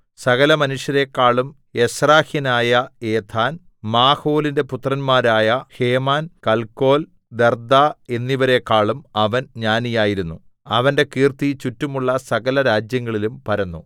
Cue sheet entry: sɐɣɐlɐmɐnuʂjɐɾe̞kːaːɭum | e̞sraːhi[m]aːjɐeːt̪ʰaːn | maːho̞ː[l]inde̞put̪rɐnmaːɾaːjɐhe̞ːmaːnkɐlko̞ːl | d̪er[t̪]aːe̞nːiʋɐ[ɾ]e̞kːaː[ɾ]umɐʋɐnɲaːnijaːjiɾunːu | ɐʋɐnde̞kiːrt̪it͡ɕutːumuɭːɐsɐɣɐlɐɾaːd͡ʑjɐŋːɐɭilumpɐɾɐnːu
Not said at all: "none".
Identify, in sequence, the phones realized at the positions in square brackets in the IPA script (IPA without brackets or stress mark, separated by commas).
n, l, d̪, ɾ, ɭ